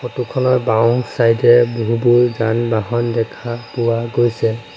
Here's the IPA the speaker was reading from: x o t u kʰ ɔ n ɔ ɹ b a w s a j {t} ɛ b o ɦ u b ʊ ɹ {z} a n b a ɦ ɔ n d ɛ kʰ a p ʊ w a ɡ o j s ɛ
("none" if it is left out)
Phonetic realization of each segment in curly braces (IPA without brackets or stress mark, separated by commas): d, z